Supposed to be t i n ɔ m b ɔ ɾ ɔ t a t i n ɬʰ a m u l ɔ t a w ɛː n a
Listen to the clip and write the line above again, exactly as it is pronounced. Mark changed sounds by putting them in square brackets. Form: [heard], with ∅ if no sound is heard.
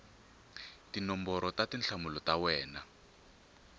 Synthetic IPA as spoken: t i n ɔ m b ɔ ɾ ɔ t a t i n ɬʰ a m u l ɔ t a w ɛː n a

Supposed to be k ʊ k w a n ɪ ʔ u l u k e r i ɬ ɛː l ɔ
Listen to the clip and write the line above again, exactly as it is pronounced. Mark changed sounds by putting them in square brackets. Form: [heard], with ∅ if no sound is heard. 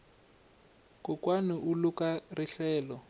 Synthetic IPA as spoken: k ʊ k w a n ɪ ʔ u l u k [a] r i ɬ ɛː l ɔ

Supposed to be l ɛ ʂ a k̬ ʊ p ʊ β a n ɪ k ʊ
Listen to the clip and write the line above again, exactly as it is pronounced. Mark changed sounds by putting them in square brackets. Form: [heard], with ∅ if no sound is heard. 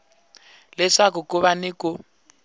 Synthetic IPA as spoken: l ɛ ʂ a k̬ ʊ [k] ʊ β a n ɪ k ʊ

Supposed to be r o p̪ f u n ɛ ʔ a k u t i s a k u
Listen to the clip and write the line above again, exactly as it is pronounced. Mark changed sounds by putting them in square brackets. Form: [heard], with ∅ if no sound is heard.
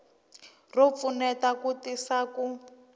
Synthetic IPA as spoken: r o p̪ f u n ɛ [t] a k u t i s a k u

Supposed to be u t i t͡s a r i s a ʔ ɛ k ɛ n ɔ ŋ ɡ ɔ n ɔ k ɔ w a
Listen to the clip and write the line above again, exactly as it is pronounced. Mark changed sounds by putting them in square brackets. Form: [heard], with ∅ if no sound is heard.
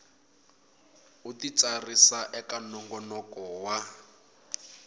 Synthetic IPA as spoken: u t i t͡s a r i s a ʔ ɛ k [a] n ɔ ŋ ɡ ɔ n ɔ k ɔ w a

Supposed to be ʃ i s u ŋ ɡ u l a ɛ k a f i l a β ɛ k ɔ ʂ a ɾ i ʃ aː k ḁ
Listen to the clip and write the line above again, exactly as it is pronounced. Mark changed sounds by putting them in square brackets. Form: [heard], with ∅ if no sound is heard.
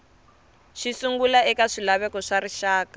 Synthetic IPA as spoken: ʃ i s u ŋ ɡ u l a ɛ k a [ʂ] i l a β ɛ k ɔ ʂ a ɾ i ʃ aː k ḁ

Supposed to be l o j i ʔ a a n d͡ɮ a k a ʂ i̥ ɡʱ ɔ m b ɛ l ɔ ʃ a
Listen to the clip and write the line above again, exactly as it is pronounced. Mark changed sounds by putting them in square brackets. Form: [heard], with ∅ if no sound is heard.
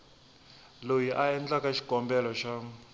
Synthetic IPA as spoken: l o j i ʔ a [ɛ] n d͡ɮ a k a [ʃ] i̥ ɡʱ ɔ m b ɛ l ɔ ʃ a

